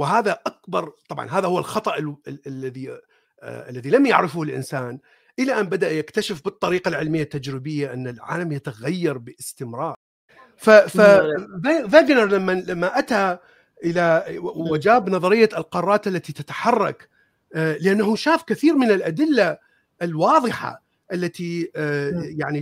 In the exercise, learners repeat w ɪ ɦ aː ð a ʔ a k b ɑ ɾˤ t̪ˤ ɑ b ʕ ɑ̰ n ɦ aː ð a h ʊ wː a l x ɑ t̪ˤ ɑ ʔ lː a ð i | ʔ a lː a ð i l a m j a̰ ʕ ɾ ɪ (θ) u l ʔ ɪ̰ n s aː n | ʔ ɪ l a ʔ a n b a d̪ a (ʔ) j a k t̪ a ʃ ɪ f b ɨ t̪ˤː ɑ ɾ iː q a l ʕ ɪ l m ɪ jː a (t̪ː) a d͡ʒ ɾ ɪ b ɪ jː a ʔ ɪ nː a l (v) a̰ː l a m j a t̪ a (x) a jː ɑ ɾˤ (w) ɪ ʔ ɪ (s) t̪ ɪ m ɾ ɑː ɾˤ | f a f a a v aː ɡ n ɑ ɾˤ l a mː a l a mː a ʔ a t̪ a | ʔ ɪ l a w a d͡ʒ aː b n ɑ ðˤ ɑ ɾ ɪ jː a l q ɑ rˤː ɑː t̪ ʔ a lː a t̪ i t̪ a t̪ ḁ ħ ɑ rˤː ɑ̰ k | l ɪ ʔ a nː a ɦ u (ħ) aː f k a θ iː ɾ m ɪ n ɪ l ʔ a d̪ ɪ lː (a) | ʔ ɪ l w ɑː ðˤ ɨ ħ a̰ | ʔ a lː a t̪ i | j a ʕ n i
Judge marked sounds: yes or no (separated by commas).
no, yes, yes, no, no, no, yes, no, yes